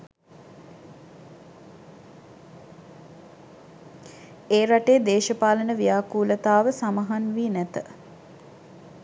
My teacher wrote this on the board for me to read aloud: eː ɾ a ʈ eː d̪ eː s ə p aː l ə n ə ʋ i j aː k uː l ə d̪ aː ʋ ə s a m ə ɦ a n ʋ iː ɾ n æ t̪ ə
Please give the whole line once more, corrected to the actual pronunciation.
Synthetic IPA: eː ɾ a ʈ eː d̪ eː ʃ ə p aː l ə n ə ʋ i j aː k uː l ə t̪ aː ʋ ə s a m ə ɦ a n ʋ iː n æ t̪ ə